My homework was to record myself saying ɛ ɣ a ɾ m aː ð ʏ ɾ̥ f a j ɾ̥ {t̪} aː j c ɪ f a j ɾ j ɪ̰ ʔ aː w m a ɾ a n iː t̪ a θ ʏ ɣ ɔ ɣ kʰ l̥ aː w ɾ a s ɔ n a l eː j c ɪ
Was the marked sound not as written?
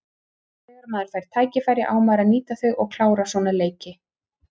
yes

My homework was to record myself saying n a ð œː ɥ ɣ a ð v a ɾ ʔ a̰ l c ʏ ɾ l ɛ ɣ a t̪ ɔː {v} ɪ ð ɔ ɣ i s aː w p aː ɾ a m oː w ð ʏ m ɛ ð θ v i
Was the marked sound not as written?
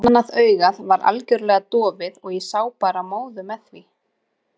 no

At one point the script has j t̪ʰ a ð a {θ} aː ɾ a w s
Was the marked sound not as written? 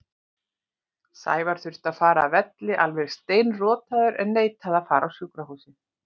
yes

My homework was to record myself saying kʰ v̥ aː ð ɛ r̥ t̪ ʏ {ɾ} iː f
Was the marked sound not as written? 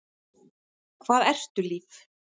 yes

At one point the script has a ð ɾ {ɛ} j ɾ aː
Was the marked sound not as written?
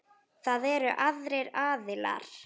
yes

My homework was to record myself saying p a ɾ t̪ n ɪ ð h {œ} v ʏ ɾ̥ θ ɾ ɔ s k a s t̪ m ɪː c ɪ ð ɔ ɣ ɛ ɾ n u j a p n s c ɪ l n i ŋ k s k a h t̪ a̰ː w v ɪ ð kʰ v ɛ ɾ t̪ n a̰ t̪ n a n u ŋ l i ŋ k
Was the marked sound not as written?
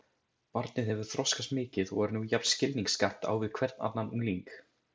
yes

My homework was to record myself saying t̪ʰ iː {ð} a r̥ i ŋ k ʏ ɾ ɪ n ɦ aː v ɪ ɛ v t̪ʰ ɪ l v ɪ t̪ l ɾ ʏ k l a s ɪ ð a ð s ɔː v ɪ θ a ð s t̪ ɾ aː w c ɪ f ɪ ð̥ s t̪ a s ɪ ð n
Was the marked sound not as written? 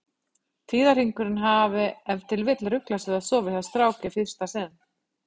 no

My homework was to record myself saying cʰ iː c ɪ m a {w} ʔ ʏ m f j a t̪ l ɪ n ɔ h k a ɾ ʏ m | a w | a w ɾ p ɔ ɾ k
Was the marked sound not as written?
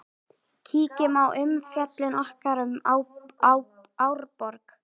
no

